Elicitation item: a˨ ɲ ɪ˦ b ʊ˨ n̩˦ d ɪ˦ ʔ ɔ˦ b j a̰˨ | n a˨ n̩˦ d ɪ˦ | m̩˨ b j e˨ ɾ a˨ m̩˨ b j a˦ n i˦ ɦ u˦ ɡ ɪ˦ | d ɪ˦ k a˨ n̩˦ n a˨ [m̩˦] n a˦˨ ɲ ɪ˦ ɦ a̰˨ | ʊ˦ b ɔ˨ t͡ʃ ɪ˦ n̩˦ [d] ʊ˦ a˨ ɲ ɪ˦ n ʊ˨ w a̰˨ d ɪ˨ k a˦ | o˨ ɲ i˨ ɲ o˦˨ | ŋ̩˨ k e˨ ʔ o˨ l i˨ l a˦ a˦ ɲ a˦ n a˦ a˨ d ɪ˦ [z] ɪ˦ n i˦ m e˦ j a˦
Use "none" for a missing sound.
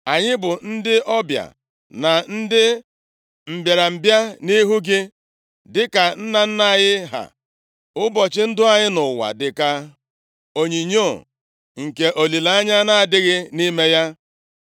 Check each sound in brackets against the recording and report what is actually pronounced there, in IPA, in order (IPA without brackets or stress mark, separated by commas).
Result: n̩˦, d, ɣ